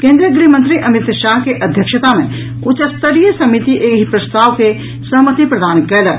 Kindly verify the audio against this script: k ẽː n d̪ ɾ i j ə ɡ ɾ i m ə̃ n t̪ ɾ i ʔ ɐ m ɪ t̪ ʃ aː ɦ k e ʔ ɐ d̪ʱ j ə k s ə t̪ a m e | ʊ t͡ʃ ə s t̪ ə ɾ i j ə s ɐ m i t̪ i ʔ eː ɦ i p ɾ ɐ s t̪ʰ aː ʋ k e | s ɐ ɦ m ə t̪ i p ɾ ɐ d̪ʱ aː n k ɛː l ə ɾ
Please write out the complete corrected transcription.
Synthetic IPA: k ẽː n d̪ ɾ i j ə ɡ ɾ i m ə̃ n t̪ ɾ i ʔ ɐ m ɪ t̪ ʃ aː ɦ k e ʔ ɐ d̪ʱ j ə k ʃ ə t̪ a m ẽ | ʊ t͡ʃ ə s t̪ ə ɾ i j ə s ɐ m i t̪ i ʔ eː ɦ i p ɾ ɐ s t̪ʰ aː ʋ k e | s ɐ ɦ m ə t̪ i p ɾ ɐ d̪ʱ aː n k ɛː l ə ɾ